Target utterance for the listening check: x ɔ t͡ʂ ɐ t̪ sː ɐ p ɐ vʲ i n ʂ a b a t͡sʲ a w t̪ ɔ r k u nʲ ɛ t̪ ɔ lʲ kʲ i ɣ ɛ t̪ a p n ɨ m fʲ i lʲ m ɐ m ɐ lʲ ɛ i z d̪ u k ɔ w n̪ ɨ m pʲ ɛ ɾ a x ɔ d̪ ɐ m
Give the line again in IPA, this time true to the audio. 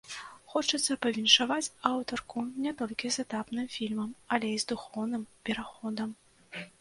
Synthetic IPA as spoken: x ɔ t͡ʂ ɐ t̪ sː ɐ p ɐ vʲ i n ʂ a v a t͡sʲ a w t̪ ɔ r k u nʲ ɛ t̪ ɔ lʲ kʲ i z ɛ t̪ a p n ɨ m fʲ i lʲ m ɐ m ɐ lʲ ɛ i z d̪ u x ɔ w n̪ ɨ m pʲ ɛ ɾ a x ɔ d̪ ɐ m